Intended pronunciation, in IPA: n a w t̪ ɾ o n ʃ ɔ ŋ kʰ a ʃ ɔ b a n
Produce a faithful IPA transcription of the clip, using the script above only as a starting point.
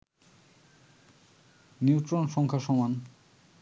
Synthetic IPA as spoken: n i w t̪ ɾ o n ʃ ɔ ŋ kʰ a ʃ ɔ m a n

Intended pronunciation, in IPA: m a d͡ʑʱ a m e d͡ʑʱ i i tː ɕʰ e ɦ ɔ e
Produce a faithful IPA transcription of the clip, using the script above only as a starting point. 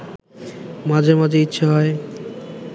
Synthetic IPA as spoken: m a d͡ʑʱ e m a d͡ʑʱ e i tː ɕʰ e ɦ ɔ e

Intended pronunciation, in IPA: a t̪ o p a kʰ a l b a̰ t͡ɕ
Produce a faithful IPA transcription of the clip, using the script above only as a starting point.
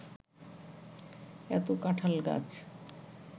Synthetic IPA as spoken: ɛ t̪ o k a ʈʰ a l ɡ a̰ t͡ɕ

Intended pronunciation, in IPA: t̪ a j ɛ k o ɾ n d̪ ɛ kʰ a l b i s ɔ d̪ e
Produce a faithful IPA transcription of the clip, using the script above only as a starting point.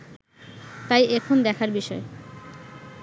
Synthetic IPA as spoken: t̪ a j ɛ kʰ o n d̪ ɛ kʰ a ɾ b i ʃ ɔ e

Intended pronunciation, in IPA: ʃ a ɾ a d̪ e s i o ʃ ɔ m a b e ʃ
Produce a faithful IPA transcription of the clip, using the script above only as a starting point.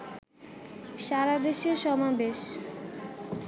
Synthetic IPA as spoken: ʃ a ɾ a d̪ e ʃ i o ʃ ɔ m a b e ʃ

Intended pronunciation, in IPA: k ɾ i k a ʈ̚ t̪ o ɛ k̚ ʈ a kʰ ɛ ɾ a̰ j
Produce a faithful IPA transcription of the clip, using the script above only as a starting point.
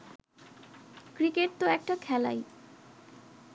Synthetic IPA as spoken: k ɾ i k e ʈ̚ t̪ o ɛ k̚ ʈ a kʰ ɛ l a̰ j

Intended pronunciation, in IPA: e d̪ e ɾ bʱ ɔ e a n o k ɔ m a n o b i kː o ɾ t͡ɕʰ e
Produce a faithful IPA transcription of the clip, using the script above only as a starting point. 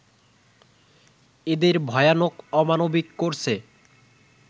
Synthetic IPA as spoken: e d̪ e ɾ bʱ ɔ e a n o k ɔ m a n o b i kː o ɾ t͡ɕʰ e

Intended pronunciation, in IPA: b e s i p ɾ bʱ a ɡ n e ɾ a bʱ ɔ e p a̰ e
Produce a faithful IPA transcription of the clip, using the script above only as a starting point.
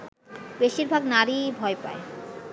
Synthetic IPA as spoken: b e ʃ i ɾ bʱ a ɡ n a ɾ i bʱ ɔ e p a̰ e

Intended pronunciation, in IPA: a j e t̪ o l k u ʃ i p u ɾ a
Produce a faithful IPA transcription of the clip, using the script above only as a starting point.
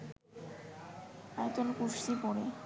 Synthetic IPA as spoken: a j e t̪ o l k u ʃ i p ɔ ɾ e

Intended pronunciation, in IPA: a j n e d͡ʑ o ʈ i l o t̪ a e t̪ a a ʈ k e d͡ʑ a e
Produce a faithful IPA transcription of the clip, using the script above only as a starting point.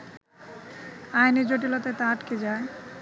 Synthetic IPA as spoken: a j n e d͡ʑ o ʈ i l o t̪ a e t̪ a a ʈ k e d͡ʑ a e

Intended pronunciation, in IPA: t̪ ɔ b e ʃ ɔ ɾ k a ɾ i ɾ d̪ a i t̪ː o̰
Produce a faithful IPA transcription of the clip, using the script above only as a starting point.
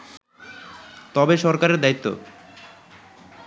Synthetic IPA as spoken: t̪ ɔ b e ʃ ɔ ɾ k a ɾ e ɾ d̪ a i t̪ː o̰

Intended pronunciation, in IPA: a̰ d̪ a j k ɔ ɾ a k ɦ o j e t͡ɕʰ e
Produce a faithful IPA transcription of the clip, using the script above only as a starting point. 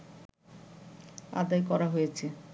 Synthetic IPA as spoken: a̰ d̪ a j k ɔ ɾ a ɦ o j e t͡ɕʰ e

